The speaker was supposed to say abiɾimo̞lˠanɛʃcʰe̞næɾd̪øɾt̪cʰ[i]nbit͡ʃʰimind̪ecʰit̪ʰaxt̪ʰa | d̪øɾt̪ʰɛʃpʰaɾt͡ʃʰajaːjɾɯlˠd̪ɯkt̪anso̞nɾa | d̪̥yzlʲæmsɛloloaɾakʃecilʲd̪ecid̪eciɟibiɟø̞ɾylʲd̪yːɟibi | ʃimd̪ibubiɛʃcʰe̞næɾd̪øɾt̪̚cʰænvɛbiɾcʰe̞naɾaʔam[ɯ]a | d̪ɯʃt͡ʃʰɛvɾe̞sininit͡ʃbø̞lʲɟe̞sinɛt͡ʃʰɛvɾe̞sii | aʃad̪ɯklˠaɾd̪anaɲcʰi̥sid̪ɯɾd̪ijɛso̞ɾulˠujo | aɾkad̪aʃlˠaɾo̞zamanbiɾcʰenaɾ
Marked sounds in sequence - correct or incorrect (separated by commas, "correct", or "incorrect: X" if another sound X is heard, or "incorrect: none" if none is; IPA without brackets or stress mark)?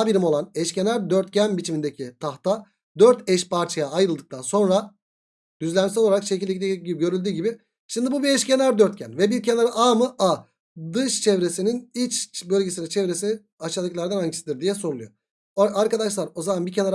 incorrect: æ, correct